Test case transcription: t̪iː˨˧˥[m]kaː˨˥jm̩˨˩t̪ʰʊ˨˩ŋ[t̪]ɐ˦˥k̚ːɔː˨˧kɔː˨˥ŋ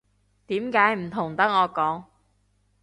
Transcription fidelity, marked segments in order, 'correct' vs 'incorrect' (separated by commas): correct, correct